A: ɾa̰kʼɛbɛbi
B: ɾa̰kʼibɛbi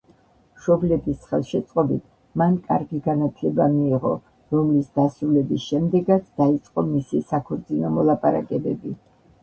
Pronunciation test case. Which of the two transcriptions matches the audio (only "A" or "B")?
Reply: A